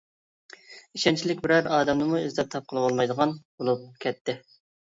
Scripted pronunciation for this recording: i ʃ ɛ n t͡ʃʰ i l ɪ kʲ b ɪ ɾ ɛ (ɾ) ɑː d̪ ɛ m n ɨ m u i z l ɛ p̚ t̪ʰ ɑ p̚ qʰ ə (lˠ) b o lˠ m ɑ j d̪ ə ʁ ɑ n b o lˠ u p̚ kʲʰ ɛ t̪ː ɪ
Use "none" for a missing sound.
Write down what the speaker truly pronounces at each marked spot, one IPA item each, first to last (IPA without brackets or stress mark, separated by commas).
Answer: ɾ, lˠ